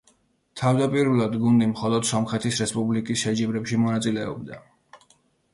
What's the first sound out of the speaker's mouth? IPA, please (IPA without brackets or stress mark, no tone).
t̪ʰ